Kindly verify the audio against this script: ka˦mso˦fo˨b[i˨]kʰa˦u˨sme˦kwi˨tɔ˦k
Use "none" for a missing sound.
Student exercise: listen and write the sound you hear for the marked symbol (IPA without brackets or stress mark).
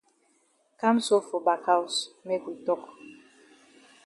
a˨